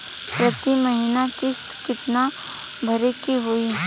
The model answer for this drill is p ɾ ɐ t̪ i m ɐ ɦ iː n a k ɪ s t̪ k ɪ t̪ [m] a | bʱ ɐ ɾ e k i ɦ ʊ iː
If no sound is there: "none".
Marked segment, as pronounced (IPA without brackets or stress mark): n